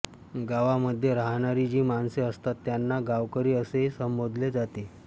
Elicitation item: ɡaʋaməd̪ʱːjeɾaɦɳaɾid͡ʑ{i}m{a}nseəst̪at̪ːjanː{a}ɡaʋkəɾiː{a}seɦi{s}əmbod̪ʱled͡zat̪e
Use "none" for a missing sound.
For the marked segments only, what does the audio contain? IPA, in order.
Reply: iː, a, a, ə, s

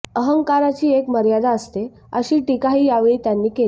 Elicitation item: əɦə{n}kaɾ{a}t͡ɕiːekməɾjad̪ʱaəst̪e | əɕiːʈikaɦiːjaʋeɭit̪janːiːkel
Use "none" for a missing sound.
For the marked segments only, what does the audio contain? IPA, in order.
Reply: ŋ, a

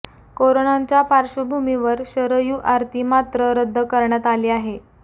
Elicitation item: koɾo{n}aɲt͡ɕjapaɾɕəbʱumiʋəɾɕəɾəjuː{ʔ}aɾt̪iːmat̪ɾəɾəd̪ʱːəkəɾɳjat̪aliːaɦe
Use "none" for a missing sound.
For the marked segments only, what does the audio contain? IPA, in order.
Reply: n, ʔ

